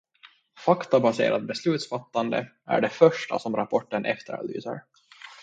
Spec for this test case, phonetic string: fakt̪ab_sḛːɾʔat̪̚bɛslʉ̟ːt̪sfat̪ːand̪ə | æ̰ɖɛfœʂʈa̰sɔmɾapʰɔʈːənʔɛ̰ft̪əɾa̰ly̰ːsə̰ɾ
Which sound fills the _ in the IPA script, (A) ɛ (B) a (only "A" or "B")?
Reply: B